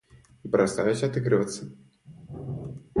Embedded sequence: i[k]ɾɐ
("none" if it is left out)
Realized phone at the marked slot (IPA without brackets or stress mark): p